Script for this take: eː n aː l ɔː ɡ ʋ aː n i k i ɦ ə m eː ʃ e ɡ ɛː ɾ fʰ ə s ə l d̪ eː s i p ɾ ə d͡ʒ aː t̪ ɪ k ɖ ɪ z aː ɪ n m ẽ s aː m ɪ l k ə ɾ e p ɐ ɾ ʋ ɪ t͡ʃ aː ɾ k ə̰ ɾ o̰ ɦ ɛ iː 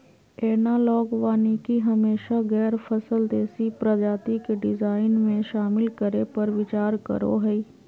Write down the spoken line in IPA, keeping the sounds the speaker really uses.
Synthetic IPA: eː n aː l ɔː ɡ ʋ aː n i k i ɦ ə m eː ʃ a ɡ ɛː ɾ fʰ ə s ə l d̪ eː s i p ɾ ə d͡ʒ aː t̪ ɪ k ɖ ɪ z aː ɪ n m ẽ ʃ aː m ɪ l k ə ɾ e p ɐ ɾ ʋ ɪ t͡ʃ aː ɾ k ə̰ ɾ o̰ ɦ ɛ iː